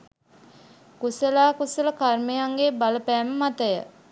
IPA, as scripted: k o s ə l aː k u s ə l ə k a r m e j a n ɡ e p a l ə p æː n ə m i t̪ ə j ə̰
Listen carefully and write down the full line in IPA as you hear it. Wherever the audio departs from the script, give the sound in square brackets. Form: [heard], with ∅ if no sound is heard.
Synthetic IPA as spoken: k [u] s ə l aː k u s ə l ə k a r m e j a [ŋ] ɡ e [b] a l ə p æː [m] ə m [a] t̪ ə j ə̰

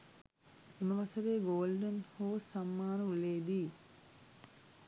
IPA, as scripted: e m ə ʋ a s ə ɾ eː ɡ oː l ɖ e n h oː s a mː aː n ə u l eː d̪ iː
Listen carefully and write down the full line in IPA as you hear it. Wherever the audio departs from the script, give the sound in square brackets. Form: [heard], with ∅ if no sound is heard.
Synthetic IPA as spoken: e m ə ʋ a s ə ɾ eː ɡ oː l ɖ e n h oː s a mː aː n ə u l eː d̪ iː

